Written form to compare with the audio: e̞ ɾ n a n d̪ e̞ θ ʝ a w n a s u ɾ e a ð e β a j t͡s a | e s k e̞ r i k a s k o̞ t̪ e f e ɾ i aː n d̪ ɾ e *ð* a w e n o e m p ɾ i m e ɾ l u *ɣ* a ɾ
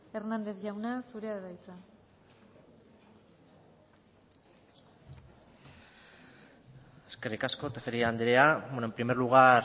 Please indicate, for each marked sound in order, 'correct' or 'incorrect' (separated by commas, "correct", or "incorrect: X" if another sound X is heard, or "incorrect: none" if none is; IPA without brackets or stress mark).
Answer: incorrect: none, correct